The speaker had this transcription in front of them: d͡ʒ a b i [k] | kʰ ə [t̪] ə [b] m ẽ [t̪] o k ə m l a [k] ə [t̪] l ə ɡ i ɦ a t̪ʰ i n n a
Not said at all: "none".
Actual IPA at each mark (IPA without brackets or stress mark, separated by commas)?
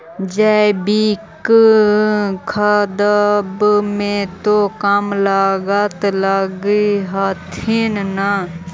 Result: k, d̪, b, t̪, ɡ, t̪